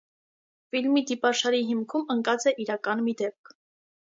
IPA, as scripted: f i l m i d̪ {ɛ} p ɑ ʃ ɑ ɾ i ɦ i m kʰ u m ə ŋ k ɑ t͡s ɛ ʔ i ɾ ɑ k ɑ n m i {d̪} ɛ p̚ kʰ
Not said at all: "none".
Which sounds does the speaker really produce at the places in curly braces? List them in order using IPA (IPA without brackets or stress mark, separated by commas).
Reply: i, d̪